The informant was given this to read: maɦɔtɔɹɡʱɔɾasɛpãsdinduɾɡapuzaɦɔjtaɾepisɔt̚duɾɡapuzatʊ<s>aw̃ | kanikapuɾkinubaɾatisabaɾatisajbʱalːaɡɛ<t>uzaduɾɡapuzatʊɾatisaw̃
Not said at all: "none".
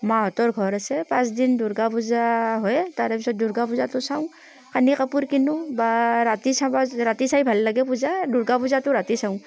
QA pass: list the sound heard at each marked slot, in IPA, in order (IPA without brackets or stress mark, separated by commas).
s, p